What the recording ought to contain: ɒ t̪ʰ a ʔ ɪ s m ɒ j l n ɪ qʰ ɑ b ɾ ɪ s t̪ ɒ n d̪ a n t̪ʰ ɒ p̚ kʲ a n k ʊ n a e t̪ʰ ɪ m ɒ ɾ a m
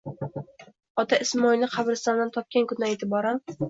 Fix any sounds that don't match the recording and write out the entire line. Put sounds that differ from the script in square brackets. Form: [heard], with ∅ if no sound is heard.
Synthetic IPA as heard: ɒ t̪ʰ a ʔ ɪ s m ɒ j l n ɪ qʰ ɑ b ɾ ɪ s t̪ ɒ n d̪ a n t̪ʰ ɒ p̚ kʲ a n k ʊ n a e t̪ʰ ɪ [b] ɒ ɾ a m